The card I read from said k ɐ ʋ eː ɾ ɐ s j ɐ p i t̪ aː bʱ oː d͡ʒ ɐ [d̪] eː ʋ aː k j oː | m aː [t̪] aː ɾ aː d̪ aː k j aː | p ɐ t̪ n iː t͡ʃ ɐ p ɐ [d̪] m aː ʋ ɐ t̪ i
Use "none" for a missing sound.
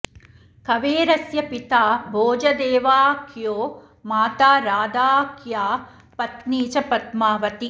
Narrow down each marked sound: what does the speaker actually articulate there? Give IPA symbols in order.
d̪, t̪, t̪

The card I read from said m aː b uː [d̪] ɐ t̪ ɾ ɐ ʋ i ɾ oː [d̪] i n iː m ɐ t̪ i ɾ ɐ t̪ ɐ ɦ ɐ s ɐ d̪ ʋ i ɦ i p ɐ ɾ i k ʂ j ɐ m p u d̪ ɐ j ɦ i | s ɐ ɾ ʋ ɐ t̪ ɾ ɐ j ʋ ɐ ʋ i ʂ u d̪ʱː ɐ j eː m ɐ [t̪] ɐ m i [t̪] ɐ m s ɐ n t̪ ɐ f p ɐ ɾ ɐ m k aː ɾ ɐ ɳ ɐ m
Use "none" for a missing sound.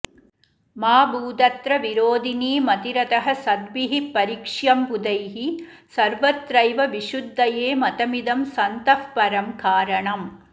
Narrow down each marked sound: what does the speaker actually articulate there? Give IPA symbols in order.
d̪, d̪, t̪, d̪

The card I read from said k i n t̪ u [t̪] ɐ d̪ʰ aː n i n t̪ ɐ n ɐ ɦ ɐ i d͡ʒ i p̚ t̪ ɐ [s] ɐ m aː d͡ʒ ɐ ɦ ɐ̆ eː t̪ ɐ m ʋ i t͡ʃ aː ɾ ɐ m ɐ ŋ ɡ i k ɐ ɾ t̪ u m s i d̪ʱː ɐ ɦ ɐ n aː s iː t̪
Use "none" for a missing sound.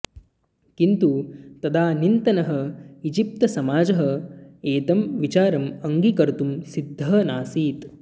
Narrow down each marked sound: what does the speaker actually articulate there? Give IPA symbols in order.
t̪, s

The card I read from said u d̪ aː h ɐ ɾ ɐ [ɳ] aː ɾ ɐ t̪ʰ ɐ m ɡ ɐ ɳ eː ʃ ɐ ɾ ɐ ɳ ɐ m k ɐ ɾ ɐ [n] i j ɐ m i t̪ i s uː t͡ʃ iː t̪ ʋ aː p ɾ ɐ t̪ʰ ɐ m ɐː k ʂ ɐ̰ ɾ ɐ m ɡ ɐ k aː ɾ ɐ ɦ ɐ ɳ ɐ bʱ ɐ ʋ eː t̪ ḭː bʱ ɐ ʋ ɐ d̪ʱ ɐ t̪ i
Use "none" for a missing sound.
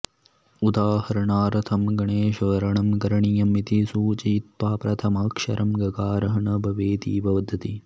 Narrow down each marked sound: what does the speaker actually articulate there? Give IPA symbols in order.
ɳ, ɳ

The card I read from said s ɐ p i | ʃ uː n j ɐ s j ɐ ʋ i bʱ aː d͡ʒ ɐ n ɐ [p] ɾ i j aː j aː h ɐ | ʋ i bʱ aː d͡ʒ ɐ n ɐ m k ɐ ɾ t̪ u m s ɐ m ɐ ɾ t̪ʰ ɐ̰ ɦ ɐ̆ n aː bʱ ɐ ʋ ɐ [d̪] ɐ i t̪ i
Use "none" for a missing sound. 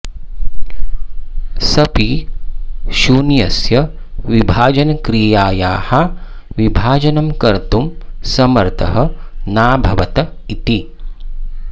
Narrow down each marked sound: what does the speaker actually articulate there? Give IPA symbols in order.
k, t̪

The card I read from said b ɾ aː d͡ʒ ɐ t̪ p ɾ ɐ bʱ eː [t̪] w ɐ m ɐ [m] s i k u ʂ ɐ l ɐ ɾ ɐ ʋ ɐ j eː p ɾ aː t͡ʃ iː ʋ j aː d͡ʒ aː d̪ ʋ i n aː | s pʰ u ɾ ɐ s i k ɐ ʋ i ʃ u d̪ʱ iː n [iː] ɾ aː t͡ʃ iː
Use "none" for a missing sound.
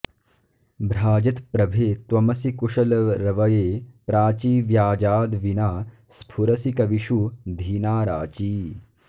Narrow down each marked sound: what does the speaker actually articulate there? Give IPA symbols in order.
t̪, none, aː

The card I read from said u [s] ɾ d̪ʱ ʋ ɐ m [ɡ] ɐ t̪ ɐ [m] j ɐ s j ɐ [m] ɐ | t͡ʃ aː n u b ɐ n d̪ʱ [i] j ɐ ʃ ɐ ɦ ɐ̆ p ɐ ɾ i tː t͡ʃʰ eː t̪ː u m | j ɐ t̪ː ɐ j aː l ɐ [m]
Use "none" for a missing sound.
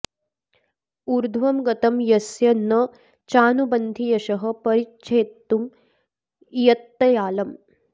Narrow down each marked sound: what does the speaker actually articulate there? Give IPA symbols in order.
none, ɡ, m, n, i, m

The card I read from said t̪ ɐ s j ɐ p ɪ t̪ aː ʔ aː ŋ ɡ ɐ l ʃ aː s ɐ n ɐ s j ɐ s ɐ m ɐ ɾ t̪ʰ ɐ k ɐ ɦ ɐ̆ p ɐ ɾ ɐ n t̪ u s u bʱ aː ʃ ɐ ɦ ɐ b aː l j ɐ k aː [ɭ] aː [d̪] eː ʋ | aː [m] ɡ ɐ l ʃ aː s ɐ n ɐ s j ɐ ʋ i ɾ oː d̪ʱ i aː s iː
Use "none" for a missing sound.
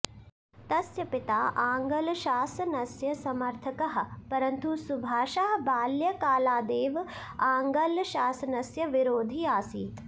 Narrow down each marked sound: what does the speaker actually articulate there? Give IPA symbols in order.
l, d̪, ŋ

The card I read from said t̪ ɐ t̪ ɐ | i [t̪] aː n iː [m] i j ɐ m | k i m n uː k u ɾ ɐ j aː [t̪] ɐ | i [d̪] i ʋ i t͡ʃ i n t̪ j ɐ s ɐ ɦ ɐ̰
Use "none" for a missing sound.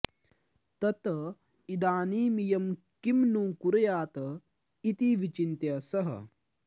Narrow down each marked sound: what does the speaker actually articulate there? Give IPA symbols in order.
d̪, m, t̪, t̪

